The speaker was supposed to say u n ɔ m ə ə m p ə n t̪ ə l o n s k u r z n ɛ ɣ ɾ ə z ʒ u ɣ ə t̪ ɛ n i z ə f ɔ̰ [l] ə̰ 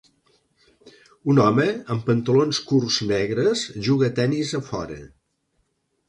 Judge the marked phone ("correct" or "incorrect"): incorrect